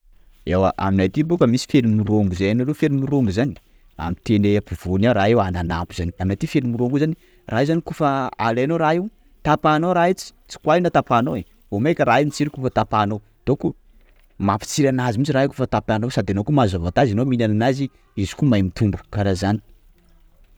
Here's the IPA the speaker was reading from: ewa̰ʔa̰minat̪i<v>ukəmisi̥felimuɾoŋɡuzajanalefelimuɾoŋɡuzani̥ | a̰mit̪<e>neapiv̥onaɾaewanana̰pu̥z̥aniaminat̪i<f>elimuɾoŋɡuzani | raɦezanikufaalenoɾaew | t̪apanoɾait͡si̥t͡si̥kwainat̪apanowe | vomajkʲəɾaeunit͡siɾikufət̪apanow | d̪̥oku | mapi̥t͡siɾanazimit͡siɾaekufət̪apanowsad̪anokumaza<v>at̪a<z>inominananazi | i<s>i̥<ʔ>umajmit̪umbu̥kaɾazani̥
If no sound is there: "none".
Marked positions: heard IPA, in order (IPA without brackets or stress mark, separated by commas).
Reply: b, e, f, v, z, z, k